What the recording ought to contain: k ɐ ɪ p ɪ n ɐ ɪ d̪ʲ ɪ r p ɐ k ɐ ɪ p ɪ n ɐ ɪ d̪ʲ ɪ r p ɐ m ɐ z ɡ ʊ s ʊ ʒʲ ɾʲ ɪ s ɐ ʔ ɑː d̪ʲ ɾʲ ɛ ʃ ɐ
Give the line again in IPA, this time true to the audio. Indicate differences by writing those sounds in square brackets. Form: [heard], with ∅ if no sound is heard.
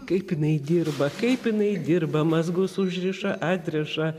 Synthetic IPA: k ɐ ɪ p ɪ n ɐ ɪ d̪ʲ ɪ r [b] ɐ k ɐ ɪ p ɪ n ɐ ɪ d̪ʲ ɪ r [b] ɐ m ɐ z ɡ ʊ s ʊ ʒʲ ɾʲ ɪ [ʃ] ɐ ʔ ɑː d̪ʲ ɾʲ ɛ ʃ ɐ